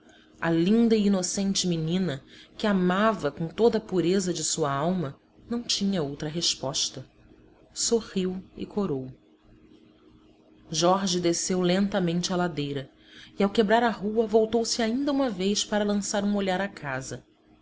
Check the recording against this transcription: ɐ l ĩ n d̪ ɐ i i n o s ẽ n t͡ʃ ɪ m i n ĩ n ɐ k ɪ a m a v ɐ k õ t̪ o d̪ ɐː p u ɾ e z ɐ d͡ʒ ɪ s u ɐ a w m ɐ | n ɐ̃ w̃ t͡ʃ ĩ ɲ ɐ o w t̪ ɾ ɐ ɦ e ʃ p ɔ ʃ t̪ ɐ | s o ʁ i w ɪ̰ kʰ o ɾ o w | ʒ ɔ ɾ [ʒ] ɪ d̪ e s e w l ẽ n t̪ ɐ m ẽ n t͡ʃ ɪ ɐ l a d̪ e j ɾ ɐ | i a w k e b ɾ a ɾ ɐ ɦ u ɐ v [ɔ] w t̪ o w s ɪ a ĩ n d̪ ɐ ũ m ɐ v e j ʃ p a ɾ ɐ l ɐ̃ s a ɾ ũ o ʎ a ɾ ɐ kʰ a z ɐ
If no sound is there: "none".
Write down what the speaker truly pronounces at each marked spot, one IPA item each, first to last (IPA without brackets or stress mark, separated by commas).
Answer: ʒ, o